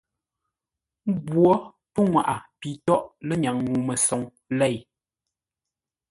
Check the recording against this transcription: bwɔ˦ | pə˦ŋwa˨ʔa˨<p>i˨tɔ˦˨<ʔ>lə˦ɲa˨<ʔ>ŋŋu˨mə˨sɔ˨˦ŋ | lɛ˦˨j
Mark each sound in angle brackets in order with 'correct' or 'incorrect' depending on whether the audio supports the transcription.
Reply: correct, correct, incorrect: none

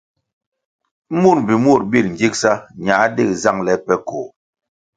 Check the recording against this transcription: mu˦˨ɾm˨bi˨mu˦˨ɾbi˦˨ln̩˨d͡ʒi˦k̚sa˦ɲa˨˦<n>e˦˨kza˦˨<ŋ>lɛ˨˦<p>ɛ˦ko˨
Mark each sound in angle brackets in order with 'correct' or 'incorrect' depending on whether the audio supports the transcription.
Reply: incorrect: d, correct, correct

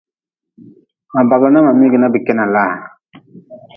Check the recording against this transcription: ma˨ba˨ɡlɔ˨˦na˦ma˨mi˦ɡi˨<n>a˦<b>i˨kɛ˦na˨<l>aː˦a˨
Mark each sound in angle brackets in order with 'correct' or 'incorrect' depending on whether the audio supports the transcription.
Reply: correct, correct, correct

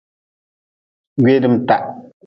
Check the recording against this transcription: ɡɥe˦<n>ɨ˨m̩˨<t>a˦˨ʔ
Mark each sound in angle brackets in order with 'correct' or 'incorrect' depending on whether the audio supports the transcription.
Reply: incorrect: d, correct

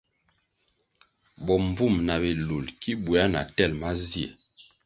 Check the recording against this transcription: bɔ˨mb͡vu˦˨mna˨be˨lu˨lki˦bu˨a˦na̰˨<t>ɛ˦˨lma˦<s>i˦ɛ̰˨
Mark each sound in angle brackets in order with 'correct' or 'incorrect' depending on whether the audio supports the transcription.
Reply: correct, incorrect: z

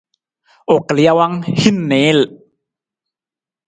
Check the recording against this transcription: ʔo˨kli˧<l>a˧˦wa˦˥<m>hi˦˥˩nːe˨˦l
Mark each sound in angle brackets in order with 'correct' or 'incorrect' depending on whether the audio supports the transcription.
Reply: incorrect: none, incorrect: ŋ

